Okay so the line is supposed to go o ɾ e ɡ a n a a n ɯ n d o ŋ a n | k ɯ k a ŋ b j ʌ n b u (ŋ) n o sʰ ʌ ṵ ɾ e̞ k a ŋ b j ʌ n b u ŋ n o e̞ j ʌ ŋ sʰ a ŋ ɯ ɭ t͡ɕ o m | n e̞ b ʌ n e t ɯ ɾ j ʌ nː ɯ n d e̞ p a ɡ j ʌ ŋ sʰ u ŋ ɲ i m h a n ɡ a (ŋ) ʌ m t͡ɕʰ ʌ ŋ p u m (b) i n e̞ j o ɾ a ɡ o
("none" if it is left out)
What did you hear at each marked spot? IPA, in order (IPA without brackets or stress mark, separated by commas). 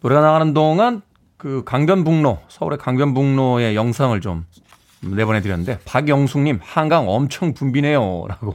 ŋ, ŋ, b